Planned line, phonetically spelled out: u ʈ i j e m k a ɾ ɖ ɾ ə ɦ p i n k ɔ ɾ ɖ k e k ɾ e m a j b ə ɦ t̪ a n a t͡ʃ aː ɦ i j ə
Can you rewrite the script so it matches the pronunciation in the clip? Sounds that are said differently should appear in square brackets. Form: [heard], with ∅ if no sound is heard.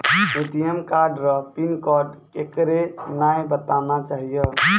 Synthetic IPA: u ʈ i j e m k a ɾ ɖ ɾ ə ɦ p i n k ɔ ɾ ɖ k e k ɾ e [n] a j b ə [∅] t̪ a n a t͡ʃ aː ɦ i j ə

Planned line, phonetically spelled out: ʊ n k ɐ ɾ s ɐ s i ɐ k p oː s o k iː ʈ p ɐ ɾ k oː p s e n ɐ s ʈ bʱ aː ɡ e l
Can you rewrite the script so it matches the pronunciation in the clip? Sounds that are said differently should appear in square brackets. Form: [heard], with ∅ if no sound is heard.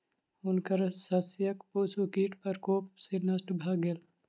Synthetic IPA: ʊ n k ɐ ɾ s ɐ s [j] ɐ k p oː s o k iː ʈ p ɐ ɾ k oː p s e n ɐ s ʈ bʱ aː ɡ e l

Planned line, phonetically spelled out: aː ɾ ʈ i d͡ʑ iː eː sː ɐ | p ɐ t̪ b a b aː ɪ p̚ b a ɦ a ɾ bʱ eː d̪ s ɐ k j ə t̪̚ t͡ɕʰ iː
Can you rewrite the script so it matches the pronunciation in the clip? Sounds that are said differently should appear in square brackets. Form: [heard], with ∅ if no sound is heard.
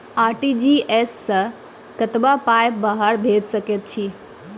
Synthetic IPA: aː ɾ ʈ i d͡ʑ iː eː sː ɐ | [k] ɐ t̪ b a [p] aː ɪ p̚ b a ɦ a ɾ bʱ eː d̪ s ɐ k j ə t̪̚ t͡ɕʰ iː

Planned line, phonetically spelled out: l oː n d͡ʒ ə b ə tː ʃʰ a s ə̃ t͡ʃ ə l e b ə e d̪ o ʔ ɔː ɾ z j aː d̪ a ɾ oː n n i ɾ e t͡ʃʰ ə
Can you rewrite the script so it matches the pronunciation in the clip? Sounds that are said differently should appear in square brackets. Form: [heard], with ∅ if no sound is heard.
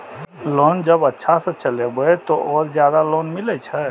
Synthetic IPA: l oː n d͡ʒ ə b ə tː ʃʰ a s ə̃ t͡ʃ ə l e b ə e [t̪] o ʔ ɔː ɾ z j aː d̪ a [l] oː n [m] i [l] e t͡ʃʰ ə

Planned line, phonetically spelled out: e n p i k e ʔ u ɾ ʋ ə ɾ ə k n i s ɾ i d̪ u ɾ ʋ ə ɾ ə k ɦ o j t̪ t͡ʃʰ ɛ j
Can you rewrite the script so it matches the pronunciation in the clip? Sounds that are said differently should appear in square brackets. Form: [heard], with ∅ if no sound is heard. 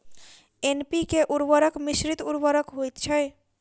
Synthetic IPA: e n p i k e ʔ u ɾ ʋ ə ɾ ə k [m] i s ɾ i [t̪] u ɾ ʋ ə ɾ ə k ɦ o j t̪ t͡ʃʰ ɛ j

